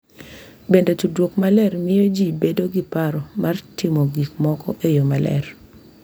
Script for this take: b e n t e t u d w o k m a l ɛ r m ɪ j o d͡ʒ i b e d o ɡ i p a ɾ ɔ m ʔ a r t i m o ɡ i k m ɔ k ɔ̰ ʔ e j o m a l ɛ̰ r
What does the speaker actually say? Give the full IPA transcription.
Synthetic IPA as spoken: b e n d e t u d w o k m a l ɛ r m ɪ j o d͡ʒ i b e d o ɡ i p a ɾ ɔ m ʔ a r t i m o ɡ i k m ɔ k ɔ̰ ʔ e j o m a l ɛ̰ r